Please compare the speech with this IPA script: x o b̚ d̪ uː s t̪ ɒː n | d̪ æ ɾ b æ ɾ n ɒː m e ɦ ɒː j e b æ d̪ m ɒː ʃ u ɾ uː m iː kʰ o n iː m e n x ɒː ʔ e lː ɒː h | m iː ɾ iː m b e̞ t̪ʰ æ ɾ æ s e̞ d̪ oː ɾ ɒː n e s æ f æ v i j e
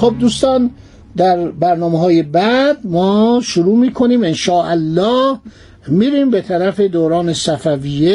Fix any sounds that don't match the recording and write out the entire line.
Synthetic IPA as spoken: x o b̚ d̪ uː s t̪ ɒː n | d̪ æ ɾ b æ ɾ n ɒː m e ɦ ɒː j e b æ d̪ m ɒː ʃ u ɾ uː m iː kʰ o n iː m e n ʃ ɒː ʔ æ lː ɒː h | m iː ɾ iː m b e̞ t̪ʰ æ ɾ æ f e̞ d̪ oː ɾ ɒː n e s æ f æ v i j e